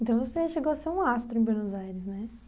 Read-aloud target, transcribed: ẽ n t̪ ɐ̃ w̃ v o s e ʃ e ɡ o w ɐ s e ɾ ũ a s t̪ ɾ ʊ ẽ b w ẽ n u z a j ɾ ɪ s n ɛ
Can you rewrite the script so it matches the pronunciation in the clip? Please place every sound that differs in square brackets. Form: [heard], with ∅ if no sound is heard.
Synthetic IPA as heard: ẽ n t̪ ɐ̃ w̃ v o s e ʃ e ɡ o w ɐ s e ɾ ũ a s t̪ ɾ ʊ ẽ b w [e] n [o] z a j ɾ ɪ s n ɛ